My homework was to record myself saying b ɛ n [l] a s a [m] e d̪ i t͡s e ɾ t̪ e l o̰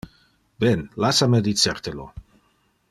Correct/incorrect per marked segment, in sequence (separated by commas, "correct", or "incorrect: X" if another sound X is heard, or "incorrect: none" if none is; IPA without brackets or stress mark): correct, correct